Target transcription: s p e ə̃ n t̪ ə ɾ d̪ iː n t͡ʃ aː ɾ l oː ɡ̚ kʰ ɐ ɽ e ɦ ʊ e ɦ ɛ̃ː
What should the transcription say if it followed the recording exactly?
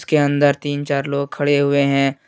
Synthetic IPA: s k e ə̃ n d̪ ə ɾ t̪ iː n t͡ʃ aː ɾ l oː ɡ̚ kʰ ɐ ɽ e ɦ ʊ e ɦ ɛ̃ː